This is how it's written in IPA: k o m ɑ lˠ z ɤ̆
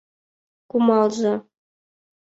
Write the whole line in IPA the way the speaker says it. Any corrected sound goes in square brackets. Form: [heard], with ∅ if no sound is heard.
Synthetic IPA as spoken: k [u] m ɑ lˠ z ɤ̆